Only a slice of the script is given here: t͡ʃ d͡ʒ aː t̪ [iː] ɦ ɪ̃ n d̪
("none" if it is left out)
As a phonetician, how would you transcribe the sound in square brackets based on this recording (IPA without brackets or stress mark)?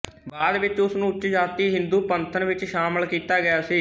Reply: iː